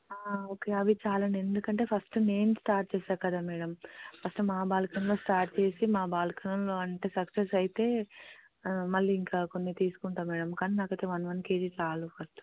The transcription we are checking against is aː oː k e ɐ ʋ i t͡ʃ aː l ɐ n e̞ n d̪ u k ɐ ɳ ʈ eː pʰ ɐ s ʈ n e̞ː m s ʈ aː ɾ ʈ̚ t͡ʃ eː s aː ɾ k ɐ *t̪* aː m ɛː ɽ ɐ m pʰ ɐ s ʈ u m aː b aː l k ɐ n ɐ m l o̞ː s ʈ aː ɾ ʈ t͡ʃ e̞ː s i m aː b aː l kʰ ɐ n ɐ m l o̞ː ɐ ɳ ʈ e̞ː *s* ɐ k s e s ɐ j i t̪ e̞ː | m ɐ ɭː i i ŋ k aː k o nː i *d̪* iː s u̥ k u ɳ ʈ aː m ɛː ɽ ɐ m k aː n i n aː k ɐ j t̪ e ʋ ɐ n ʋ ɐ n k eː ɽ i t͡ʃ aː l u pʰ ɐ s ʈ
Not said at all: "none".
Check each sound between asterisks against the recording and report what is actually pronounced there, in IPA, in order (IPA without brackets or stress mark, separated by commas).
d̪, s, t̪